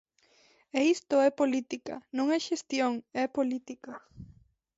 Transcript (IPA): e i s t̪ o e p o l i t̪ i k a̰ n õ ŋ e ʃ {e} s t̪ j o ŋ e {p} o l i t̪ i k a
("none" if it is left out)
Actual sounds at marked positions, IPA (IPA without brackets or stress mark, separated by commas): e, p